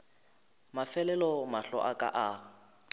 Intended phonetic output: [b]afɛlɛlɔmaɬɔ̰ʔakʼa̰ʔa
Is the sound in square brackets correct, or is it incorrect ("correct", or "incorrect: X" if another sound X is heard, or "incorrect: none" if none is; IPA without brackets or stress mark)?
incorrect: m